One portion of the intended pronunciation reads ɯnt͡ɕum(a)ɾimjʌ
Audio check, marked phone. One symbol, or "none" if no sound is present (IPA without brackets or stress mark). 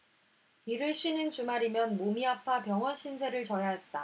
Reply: a